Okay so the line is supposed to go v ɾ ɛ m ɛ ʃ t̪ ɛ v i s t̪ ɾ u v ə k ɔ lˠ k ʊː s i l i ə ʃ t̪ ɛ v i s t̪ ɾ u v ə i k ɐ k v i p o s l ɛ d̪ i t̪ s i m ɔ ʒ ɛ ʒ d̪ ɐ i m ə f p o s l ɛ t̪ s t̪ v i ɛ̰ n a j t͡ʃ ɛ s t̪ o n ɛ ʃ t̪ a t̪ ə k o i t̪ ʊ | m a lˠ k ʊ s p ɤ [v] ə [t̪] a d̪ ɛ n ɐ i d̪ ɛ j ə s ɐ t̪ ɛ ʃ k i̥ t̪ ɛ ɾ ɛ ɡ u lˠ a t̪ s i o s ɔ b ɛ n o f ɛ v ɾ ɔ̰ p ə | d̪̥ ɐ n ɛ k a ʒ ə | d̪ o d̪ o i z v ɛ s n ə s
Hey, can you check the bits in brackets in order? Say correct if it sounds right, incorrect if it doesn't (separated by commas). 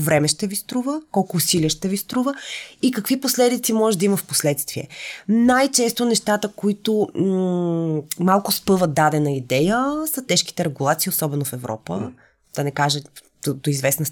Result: correct, incorrect